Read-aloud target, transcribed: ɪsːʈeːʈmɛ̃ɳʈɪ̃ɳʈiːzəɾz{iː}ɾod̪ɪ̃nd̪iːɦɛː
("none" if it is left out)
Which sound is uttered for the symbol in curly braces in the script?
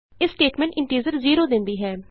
iː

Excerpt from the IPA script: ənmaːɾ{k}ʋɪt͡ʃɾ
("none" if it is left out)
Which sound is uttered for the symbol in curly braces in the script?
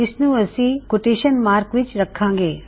k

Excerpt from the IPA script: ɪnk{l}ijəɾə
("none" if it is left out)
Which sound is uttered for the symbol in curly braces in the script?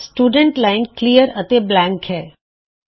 l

